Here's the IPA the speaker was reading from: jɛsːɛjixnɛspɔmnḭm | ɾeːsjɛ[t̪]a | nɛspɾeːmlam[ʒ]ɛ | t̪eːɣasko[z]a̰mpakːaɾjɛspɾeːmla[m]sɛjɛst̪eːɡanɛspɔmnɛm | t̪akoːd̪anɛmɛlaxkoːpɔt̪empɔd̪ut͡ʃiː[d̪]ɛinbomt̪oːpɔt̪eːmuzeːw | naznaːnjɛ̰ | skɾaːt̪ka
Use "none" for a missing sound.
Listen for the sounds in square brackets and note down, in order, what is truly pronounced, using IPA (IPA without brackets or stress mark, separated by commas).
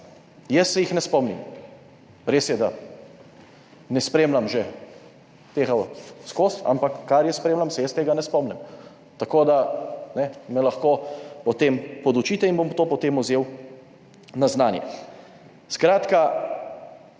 d̪, ʒ, s, m, t̪